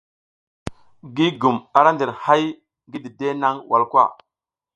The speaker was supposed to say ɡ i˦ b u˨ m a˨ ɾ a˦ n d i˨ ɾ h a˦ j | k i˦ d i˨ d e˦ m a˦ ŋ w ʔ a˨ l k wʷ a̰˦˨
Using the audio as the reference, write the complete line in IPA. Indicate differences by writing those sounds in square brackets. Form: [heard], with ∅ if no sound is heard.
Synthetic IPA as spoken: ɡ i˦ [ɡ] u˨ m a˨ ɾ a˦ n d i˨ ɾ h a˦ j | [ɡ] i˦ d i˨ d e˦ [n] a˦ ŋ w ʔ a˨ l k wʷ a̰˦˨